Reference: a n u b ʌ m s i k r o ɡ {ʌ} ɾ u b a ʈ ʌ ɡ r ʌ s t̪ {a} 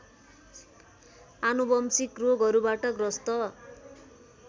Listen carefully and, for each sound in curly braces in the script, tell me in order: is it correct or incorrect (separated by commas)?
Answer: correct, incorrect